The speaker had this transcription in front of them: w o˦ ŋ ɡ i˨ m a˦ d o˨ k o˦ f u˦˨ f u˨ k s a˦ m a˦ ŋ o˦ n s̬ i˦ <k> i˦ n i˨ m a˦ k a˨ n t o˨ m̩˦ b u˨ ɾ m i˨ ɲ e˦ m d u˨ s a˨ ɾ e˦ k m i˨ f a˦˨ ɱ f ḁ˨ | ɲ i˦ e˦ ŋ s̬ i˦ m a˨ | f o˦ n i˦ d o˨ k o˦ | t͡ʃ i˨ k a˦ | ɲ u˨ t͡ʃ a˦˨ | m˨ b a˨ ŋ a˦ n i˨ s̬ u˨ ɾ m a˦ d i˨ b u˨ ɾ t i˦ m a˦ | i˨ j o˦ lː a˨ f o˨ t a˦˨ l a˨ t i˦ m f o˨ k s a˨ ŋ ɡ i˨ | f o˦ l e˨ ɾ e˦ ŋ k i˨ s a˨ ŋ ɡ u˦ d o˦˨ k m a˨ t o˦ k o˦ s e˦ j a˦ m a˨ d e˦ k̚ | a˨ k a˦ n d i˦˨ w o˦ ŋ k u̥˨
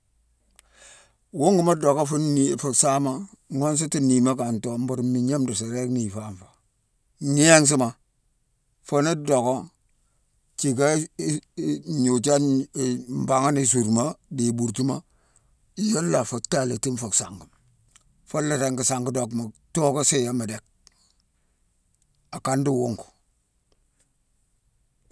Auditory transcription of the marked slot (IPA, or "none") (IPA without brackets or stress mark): t